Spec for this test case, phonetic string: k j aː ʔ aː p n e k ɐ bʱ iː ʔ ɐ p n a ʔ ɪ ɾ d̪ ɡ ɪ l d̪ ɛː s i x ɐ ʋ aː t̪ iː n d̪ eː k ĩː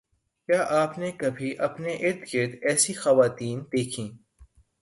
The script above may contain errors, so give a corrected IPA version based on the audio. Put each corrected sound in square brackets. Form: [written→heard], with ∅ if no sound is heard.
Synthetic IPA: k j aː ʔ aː p n e k ɐ bʱ [iː→i] ʔ ɐ p n [a→e] ʔ ɪ ɾ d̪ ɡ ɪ [l→ɾ] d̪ ɛː s i x ɐ ʋ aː t̪ iː n d̪ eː [k→kʰ] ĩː